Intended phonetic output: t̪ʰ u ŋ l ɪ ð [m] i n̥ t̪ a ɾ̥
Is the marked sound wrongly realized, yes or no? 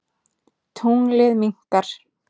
no